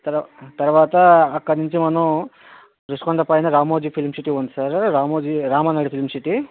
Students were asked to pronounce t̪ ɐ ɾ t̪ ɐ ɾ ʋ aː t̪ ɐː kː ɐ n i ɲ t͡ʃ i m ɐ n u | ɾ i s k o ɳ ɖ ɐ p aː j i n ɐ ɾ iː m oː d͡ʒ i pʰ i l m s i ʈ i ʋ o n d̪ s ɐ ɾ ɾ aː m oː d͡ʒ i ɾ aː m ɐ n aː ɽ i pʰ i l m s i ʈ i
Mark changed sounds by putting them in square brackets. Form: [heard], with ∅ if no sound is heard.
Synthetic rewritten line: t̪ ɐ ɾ t̪ ɐ ɾ ʋ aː t̪ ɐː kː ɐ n i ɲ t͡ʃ i m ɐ n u | ɾ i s k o ɳ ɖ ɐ p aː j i n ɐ ɾ [aː] m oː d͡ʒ i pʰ i l m s i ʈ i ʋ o n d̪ s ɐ ɾ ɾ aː m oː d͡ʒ i ɾ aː m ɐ n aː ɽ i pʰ i l m s i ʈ i